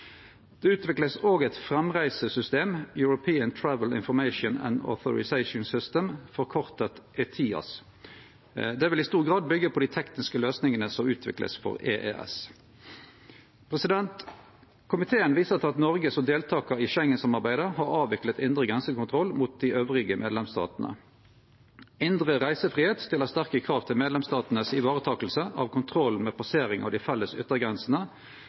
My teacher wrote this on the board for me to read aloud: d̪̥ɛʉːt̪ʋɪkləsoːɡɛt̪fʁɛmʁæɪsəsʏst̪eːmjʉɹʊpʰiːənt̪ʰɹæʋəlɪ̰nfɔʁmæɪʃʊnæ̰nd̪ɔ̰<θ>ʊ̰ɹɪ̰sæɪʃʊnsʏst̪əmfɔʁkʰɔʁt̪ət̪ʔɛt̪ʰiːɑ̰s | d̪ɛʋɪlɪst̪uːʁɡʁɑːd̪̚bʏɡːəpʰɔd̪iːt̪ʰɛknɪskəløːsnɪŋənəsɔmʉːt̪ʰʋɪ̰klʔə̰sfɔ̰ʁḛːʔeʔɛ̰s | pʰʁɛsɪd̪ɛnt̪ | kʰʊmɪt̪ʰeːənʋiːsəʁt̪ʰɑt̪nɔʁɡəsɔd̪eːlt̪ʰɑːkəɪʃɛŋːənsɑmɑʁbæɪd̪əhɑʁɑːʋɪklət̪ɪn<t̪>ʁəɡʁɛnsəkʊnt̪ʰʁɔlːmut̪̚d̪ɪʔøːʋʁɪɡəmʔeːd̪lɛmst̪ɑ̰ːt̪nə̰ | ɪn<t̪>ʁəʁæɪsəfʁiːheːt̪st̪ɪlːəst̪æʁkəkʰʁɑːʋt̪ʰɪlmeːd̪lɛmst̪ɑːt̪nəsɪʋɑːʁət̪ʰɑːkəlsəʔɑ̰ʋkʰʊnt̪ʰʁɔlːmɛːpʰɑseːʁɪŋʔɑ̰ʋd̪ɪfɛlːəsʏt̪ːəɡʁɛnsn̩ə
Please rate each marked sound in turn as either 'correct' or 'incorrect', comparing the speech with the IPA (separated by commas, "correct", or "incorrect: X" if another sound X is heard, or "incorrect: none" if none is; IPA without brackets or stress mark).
correct, incorrect: d̪, incorrect: d̪